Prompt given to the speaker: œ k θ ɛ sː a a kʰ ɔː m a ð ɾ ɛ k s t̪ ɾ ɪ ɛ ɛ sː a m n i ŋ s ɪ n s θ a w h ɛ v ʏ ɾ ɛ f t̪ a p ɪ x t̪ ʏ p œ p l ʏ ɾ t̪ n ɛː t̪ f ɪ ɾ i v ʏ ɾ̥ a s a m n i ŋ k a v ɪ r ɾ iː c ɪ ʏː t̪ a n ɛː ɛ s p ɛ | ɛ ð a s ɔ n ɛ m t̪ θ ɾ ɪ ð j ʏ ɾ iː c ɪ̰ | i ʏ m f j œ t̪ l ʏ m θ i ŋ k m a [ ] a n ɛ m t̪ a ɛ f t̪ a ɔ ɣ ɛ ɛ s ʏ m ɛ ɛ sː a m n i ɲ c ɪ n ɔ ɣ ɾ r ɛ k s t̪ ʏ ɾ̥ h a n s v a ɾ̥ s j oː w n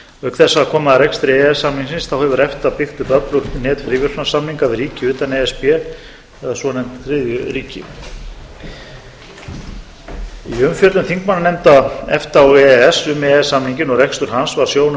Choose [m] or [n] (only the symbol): n